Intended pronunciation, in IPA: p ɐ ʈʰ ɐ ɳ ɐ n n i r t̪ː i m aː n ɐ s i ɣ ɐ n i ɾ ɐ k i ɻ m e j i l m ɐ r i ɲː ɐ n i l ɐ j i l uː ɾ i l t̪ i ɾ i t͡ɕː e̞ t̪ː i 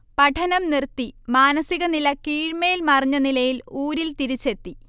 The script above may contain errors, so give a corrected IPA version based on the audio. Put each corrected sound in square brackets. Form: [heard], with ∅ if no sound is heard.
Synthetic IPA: p ɐ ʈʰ ɐ [n] ɐ [m] n i r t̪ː i m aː n ɐ s i ɣ ɐ n i [l] ɐ k [iː] ɻ m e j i l m ɐ r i ɲː ɐ n i l ɐ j i l uː ɾ i l t̪ i ɾ i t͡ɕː e̞ t̪ː i